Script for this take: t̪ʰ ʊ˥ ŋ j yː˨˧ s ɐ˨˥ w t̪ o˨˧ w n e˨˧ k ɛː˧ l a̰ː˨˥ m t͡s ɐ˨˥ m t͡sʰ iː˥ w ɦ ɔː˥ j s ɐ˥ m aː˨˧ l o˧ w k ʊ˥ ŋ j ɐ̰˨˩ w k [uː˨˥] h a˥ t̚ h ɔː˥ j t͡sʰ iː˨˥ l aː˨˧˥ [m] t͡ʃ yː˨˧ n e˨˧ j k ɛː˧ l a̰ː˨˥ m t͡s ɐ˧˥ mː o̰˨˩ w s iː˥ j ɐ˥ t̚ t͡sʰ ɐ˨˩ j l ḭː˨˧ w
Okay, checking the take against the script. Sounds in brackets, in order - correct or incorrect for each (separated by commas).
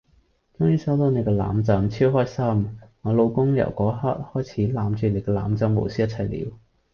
incorrect, correct